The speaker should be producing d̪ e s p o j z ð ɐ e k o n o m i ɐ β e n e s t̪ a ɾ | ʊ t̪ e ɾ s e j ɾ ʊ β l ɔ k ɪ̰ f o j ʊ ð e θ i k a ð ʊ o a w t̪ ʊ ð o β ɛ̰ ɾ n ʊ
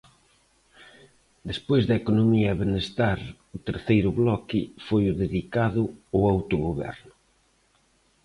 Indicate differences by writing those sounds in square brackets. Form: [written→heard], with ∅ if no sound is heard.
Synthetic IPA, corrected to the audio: d̪ e s p o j z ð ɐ e k o n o m i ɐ β e n e s t̪ a ɾ | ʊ t̪ e ɾ [s→θ] e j ɾ ʊ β l ɔ k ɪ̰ f o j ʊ ð e [θ→ð] i k a ð ʊ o a w t̪ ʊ [ð→ɣ] o β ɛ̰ ɾ n ʊ